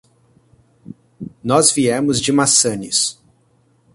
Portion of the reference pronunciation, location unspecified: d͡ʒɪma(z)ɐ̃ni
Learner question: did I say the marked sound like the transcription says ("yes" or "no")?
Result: no